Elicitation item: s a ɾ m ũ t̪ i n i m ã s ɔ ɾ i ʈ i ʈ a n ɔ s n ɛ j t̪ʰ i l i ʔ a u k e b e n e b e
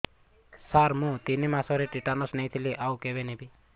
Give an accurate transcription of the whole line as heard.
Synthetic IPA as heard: s a ɾ m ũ t̪ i n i m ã s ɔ ɾ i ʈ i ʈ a n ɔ s n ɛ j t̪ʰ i l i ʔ a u k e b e n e b i